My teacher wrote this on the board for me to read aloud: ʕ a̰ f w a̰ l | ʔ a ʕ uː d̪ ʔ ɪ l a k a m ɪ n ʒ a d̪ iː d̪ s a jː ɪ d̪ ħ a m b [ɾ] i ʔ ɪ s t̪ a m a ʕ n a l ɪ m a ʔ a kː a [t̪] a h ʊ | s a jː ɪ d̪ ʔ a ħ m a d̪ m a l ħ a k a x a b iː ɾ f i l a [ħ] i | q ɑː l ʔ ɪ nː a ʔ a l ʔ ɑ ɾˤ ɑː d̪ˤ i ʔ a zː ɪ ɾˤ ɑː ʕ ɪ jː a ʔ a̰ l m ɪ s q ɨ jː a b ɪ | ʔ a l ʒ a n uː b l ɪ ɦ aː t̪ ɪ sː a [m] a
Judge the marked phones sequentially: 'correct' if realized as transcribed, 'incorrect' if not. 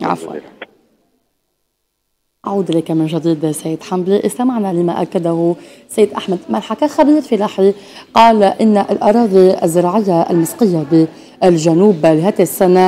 incorrect, incorrect, correct, incorrect

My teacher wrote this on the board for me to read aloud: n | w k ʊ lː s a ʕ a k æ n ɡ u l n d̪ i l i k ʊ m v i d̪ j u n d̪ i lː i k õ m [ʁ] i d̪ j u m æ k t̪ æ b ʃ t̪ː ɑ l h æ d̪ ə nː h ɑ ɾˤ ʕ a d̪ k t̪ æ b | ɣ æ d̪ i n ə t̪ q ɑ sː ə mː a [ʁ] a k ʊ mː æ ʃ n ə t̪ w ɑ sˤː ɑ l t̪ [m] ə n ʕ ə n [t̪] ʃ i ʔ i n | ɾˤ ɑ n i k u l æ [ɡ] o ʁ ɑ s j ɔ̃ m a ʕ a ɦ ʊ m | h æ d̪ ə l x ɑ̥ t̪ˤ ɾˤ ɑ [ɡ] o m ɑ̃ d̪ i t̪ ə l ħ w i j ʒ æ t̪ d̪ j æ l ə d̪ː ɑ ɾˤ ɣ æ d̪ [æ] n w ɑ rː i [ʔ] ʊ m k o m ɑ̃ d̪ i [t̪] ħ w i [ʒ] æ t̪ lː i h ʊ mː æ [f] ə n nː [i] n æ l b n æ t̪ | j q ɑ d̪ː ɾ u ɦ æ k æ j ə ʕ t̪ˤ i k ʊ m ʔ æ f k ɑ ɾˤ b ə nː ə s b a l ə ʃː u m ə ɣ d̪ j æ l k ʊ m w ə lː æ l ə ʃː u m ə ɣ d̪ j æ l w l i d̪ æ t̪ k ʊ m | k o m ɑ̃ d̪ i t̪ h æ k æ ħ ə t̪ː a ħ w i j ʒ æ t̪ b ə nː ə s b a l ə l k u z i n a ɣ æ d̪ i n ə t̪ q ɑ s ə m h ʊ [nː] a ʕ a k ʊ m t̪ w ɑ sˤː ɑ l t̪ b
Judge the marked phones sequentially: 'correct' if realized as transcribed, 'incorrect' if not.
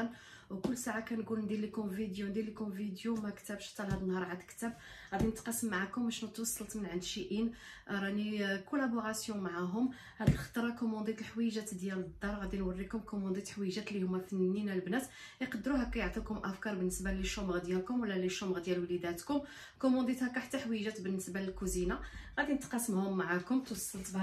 incorrect, incorrect, correct, incorrect, incorrect, incorrect, incorrect, incorrect, correct, correct, correct, correct, incorrect

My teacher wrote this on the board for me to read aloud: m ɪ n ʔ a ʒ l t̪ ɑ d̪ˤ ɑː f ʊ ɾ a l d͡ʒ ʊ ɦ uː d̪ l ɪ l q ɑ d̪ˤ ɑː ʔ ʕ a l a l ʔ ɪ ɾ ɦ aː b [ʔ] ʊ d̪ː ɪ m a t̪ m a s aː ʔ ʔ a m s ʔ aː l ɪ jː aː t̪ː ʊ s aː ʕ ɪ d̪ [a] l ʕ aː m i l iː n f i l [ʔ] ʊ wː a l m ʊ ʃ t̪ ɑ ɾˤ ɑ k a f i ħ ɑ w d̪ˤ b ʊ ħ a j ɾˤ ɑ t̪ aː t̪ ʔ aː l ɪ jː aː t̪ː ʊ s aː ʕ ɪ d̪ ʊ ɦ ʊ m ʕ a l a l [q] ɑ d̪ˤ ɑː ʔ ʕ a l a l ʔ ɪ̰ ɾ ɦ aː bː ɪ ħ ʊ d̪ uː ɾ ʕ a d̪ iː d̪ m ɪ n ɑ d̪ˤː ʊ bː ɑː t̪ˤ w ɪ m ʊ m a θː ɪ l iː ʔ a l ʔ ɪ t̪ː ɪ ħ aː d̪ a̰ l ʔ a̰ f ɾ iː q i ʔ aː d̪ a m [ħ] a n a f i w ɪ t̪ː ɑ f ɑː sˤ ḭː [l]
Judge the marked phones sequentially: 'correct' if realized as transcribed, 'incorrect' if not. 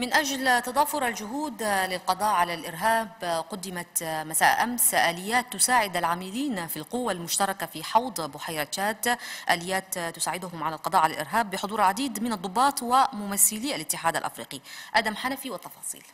incorrect, correct, incorrect, correct, correct, correct

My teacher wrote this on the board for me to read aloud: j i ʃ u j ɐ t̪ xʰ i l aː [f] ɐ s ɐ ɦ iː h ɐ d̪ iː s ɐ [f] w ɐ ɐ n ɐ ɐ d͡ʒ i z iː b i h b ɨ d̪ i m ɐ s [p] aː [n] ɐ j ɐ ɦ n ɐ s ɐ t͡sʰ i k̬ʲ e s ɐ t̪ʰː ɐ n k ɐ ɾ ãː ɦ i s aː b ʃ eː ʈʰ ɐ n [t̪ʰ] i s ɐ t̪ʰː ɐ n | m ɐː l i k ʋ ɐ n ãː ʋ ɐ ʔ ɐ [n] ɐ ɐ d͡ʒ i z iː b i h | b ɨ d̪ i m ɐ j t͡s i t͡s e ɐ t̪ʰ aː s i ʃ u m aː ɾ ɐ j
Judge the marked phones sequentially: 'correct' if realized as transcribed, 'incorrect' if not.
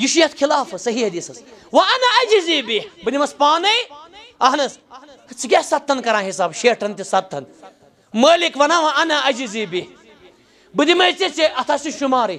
correct, incorrect, correct, correct, incorrect, correct

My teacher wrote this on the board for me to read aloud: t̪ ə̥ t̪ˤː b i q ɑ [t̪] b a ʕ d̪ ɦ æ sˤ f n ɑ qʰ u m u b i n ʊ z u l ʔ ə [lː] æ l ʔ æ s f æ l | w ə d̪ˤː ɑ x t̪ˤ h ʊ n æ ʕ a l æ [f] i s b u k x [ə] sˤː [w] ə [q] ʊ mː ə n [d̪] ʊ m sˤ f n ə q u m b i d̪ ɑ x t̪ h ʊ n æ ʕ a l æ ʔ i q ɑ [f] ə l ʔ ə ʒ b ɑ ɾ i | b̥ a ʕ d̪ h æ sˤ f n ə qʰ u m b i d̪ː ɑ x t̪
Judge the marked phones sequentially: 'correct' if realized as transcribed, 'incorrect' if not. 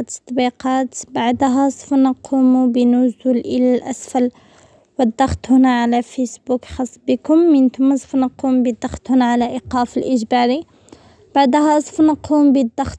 correct, incorrect, correct, incorrect, incorrect, incorrect, incorrect, correct

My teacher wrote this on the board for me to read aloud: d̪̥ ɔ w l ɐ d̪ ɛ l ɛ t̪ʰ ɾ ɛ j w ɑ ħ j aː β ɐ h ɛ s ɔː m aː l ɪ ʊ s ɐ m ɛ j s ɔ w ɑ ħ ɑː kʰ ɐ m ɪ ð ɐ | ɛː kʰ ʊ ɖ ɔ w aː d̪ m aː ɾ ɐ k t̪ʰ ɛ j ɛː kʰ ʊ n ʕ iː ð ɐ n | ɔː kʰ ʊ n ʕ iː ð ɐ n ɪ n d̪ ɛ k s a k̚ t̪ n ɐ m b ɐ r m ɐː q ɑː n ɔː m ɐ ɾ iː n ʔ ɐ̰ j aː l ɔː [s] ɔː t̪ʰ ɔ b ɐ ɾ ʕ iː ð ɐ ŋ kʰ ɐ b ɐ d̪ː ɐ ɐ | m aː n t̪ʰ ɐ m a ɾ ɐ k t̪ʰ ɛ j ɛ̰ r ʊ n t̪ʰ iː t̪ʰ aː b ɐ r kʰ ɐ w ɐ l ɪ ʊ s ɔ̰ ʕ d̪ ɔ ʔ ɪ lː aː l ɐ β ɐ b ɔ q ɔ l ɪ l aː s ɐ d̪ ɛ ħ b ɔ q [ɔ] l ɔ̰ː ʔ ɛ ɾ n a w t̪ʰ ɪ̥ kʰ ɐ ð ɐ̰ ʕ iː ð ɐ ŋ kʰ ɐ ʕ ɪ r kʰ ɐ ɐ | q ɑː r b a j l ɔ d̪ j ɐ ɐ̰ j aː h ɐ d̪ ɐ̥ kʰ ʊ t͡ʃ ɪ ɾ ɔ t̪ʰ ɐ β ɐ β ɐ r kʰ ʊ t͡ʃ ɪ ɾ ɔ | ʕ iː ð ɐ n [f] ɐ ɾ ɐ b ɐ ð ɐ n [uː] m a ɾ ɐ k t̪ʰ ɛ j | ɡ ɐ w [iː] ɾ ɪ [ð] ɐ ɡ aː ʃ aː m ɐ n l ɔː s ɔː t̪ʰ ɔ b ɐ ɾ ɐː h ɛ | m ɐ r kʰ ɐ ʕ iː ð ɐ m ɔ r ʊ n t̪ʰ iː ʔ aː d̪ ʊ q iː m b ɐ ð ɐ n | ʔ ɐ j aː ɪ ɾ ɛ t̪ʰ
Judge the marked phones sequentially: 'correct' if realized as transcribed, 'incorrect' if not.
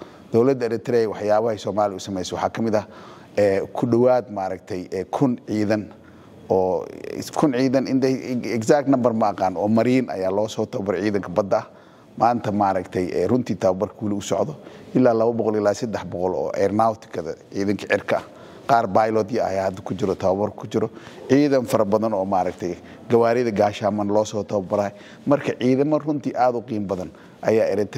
correct, correct, correct, incorrect, incorrect, correct

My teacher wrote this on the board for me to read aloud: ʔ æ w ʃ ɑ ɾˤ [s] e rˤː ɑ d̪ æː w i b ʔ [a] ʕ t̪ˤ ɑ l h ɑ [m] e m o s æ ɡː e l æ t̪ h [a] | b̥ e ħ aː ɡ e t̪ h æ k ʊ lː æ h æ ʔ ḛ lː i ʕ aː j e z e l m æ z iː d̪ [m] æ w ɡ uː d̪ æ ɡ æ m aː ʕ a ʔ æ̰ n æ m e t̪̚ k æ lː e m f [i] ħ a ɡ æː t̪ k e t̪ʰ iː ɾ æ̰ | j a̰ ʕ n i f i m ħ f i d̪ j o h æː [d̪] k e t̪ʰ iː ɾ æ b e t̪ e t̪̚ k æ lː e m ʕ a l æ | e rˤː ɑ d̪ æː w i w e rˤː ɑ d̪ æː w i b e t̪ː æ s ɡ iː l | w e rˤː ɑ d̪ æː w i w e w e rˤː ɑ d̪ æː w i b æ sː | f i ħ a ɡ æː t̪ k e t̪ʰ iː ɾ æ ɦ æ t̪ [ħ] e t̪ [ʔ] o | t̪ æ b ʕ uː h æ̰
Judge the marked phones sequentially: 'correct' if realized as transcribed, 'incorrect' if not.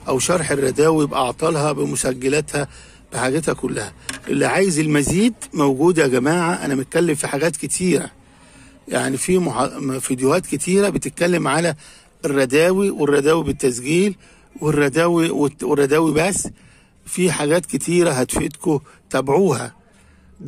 incorrect, incorrect, incorrect, incorrect, correct, correct, incorrect, incorrect, incorrect

